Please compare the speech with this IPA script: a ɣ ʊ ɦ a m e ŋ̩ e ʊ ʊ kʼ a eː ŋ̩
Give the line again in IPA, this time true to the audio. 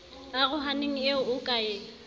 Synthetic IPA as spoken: a ɣ ʊ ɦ a n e ŋ̩ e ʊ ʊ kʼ a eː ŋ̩

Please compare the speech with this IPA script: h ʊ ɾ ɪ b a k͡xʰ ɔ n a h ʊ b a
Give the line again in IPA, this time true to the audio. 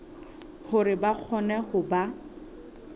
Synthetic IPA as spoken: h ʊ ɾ ɪ b a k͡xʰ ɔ n ɛ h ʊ b a

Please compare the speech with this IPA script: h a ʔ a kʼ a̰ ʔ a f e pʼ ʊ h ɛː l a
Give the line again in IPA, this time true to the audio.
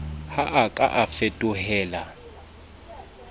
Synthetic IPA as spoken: h a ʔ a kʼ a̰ ʔ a f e tʼ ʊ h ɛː l a

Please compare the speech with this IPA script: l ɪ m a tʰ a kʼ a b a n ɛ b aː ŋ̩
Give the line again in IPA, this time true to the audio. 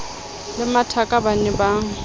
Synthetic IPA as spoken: l ɪ m a tʰ a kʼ a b a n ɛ b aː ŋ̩

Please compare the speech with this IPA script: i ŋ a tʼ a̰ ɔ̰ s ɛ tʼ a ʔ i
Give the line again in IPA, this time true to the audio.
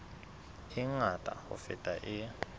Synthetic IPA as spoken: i ŋ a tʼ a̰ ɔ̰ f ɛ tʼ a ʔ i

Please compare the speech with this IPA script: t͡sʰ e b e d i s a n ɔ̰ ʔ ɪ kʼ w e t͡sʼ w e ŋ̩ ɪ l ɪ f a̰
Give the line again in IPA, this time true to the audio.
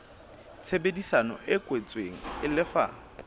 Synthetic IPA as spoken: t͡sʰ e b e d i s a n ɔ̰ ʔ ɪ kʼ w e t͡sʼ w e ŋ̩ ɪ l ɪ f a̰

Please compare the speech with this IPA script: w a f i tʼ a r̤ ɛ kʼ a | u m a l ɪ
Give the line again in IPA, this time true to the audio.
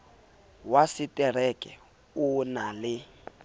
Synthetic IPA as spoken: w a s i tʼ ɛ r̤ ɛ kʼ ɛ | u n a l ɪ

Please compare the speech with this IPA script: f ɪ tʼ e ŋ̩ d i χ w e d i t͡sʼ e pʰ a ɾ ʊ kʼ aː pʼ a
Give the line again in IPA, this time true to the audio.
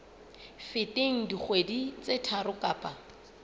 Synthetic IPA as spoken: f ɪ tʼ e ŋ̩ d i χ w e d i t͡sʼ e tʰ a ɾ ʊ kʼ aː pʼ a

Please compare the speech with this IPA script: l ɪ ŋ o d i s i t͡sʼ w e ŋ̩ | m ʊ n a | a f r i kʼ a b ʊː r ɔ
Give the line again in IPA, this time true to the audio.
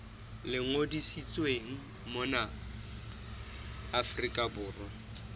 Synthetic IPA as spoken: l ɪ ŋ o d i s i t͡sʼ w e ŋ̩ | m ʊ n a | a f r i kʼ a b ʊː r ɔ

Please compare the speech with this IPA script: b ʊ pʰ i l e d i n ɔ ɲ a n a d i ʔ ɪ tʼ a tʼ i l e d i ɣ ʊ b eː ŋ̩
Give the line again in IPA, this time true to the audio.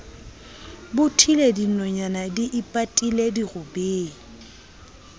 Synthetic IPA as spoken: b ʊ tʰ i l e d i n ɔ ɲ a n a d i ʔ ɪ pʼ a tʼ i l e d i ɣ ʊ b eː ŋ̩

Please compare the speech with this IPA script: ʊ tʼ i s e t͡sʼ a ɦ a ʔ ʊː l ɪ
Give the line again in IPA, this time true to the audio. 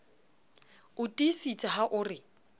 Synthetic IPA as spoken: ʊ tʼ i s i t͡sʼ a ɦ a ʔ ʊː r ɪ

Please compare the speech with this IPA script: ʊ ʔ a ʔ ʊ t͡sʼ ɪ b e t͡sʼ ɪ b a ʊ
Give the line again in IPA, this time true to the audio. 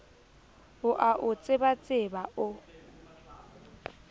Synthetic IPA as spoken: ʊ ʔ a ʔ ʊ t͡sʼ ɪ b a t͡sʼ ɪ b a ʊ

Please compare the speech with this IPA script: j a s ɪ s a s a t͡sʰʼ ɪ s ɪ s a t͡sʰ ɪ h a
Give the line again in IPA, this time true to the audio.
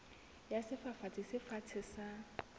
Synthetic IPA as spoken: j a s ɪ f a f a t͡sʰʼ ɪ s ɪ f a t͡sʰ ɪ s a

